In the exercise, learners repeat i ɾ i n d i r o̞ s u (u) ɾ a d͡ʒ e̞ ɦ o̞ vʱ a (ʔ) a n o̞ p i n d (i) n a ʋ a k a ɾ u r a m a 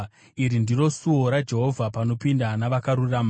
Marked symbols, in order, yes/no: no, no, no

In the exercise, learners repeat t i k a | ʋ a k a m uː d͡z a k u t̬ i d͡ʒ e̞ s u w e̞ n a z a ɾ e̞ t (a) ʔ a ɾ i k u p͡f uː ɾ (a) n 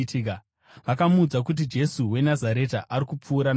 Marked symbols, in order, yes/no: yes, yes

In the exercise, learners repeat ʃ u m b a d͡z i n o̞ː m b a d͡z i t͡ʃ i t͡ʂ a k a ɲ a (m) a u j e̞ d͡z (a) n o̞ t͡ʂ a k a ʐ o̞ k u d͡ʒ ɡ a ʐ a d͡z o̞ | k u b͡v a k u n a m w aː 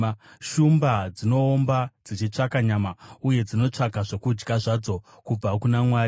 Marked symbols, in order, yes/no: yes, no

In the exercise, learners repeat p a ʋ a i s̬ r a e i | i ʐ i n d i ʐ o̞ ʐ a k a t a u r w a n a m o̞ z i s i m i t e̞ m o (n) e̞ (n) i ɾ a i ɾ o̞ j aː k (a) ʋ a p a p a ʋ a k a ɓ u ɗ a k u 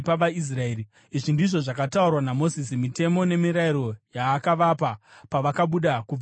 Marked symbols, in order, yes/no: yes, no, yes

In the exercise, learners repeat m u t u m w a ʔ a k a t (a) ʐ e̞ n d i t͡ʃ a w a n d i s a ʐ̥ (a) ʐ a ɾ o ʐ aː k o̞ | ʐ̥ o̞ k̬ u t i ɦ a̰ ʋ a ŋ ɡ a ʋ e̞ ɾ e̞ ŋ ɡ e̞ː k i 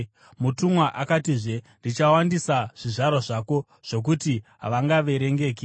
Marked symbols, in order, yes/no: no, no

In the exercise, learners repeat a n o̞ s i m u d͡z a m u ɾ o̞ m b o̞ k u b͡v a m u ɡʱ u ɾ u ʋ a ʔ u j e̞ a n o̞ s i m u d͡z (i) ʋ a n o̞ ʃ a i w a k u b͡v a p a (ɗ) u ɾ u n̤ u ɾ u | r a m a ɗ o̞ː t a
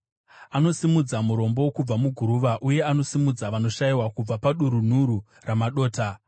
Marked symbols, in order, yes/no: no, yes

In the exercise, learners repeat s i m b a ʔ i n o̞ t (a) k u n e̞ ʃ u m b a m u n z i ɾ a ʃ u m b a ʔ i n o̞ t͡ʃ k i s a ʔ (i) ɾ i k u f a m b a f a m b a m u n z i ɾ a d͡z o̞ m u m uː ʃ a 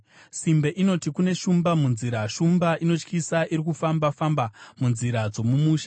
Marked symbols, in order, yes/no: no, yes

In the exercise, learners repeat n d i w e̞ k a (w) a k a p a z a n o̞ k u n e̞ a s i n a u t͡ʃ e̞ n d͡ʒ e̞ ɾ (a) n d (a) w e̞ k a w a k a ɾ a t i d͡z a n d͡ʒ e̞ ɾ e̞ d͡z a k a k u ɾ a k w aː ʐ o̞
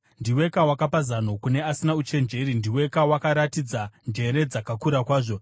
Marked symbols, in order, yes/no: yes, no, no

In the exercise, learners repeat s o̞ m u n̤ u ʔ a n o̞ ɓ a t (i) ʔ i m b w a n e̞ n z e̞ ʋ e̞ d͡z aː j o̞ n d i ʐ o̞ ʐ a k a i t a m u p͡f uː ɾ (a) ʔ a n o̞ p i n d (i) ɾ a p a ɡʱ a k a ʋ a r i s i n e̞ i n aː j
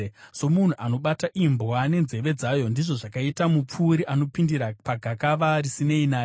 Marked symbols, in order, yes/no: no, no, yes

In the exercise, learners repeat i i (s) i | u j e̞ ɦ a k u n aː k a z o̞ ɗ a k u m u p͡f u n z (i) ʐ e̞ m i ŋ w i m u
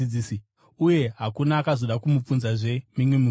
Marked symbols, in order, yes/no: yes, no

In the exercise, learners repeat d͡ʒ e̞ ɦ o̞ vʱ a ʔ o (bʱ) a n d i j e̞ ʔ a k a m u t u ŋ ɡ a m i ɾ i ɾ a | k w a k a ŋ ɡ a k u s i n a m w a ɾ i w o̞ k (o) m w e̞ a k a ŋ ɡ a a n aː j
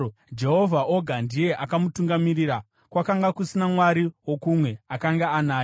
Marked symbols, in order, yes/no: no, no

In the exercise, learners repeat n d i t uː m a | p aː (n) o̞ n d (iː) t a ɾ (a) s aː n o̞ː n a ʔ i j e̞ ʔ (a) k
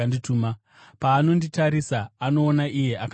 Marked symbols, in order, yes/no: yes, no, no, yes

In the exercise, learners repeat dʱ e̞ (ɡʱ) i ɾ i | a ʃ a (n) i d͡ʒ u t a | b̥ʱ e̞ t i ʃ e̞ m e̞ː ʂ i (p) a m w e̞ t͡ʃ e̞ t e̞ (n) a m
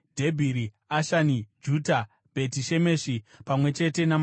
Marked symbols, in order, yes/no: no, yes, yes, yes

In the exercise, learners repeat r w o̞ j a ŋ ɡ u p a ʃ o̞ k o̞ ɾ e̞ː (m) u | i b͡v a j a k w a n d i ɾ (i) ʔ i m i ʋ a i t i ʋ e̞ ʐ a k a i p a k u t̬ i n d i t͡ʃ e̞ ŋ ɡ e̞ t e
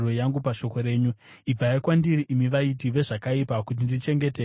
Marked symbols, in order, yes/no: no, yes

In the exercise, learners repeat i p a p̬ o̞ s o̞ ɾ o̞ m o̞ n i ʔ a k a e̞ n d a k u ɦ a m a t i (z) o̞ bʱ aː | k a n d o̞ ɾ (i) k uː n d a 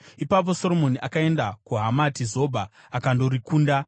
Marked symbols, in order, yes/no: yes, yes

